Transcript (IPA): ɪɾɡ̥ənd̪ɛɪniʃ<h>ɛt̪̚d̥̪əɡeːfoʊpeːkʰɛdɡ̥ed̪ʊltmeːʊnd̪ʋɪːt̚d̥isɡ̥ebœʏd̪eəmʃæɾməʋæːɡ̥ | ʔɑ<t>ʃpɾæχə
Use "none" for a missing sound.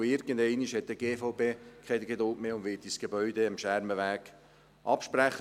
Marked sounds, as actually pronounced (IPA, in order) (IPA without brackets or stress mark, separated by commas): h, p